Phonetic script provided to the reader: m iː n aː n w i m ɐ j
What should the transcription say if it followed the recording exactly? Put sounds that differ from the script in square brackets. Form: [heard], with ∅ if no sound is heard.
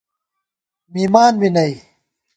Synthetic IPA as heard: m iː [m] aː n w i [n] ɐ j

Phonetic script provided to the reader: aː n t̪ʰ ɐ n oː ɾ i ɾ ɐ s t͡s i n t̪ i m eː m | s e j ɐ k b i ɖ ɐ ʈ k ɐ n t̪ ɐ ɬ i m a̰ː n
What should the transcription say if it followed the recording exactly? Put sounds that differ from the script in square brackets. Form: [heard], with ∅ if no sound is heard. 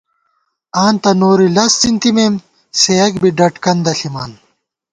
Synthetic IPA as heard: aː n [t̪] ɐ n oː ɾ i [l] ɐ s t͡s i n t̪ i m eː m | s e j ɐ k b i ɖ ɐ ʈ k ɐ n [d̪] ɐ ɬ i m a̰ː n

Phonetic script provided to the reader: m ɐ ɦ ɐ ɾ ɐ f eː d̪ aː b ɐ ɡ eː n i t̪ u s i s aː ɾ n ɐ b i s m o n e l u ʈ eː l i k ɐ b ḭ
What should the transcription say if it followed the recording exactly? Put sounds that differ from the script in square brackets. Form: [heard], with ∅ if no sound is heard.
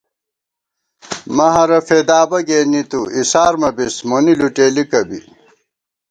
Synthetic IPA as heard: m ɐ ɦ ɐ ɾ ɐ f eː d̪ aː b ɐ ɡ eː n i t̪ u [∅] i s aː ɾ [m] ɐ b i s m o n [i] l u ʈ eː l i k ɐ b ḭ

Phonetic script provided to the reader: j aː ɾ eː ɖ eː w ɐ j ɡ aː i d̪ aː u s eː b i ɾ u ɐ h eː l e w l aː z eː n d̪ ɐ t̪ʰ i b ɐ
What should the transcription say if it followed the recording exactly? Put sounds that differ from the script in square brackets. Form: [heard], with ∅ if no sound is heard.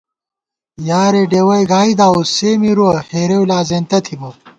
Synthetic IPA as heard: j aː ɾ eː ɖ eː w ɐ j ɡ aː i d̪ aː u s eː [m] i ɾ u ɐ h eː [ɾ] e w l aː z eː n [t̪] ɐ t̪ʰ i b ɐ

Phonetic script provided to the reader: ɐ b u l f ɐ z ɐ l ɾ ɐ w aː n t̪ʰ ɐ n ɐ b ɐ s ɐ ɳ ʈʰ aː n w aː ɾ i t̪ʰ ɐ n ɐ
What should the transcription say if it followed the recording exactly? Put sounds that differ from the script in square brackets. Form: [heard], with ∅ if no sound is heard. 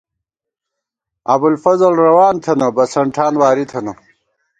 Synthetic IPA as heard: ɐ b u l f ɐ z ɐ l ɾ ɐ w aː n t̪ʰ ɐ n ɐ b ɐ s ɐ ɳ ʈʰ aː n w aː ɾ i t̪ʰ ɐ n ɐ

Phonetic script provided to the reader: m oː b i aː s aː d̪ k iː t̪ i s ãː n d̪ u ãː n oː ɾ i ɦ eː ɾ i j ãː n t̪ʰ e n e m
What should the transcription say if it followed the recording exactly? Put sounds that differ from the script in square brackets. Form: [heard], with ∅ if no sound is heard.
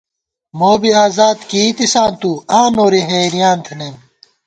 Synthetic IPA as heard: m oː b i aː [z] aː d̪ k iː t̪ i s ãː n [t̪] u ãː n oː ɾ i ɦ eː ɾ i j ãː n t̪ʰ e n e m

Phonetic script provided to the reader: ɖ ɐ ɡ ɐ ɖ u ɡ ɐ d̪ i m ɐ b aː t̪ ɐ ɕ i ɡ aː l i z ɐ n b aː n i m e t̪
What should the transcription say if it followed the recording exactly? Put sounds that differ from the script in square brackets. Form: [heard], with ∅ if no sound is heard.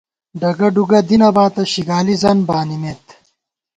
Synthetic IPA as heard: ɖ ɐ ɡ ɐ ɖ u ɡ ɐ d̪ i [n] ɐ b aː t̪ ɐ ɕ i ɡ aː l i z ɐ n b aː n i m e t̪

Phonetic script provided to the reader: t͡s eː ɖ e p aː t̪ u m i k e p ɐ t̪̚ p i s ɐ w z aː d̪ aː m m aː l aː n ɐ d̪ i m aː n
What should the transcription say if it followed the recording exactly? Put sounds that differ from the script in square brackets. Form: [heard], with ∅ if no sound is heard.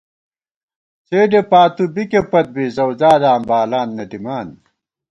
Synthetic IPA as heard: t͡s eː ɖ e p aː t̪ u [b] i k e p ɐ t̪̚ [b] i [z] ɐ w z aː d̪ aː m [b] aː l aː [nː] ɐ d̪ i m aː n

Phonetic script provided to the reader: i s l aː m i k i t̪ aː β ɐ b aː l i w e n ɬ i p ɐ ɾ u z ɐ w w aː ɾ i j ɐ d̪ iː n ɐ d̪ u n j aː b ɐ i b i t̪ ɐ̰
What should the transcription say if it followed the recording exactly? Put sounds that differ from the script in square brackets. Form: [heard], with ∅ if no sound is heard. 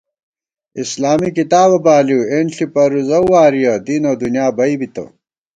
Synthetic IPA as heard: i s l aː m i k i t̪ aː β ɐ b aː l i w e n ɬ i p ɐ ɾ u z ɐ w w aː ɾ i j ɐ d̪ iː n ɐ d̪ u n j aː b ɐ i b i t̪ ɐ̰

